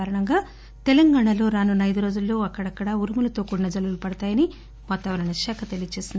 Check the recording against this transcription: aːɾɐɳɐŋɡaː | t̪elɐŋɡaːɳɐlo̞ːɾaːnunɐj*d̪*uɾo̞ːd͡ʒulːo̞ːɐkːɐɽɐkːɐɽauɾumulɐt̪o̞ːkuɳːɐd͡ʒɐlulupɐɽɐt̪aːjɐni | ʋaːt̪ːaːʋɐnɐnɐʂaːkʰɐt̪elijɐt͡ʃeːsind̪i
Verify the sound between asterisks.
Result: correct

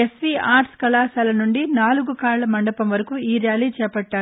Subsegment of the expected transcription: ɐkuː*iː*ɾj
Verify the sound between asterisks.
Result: correct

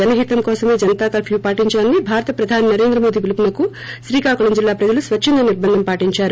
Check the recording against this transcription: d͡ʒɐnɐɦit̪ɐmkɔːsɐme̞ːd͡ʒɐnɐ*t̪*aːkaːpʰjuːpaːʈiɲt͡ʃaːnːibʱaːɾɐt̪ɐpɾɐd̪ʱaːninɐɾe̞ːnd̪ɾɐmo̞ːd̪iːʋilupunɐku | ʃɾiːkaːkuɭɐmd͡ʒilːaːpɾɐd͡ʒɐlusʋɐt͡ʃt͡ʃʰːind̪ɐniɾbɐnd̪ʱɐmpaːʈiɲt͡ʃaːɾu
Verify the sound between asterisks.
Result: correct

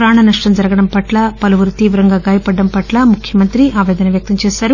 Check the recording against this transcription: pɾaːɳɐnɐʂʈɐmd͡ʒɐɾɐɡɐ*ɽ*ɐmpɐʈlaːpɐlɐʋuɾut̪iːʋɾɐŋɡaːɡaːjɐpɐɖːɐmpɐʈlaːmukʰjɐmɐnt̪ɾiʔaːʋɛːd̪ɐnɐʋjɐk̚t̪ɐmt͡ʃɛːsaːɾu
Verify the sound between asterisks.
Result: correct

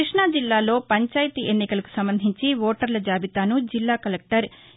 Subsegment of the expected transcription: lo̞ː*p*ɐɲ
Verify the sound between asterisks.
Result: correct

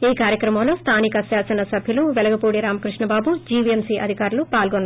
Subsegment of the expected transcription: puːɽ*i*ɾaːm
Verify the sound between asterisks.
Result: correct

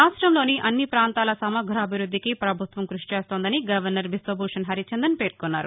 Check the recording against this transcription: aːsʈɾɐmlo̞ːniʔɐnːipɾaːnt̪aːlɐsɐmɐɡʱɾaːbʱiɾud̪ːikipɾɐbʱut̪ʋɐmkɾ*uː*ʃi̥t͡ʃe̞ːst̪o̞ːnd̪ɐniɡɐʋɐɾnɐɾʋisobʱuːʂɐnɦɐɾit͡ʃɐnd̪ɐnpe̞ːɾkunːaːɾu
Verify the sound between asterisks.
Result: incorrect: u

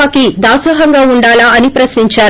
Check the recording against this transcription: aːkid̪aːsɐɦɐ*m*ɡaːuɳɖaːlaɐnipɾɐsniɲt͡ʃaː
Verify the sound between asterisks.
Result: incorrect: ŋ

